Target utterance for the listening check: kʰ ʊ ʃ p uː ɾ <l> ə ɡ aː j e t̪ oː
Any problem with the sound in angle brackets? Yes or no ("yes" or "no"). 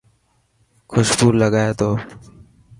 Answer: no